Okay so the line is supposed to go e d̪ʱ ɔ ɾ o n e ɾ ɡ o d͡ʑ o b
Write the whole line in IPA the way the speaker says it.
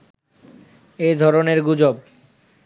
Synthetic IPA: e d̪ʱ ɔ ɾ o n e ɾ ɡ u d͡ʑ o b